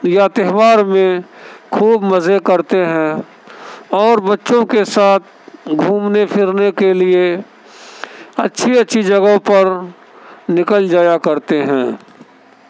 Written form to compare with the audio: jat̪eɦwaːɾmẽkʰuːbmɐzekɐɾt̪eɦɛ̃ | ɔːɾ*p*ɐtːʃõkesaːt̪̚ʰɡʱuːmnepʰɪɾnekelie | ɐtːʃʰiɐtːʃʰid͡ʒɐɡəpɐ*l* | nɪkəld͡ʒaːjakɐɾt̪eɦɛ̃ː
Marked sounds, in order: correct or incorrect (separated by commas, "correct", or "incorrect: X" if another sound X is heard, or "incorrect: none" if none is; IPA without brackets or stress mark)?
incorrect: b, incorrect: ɾ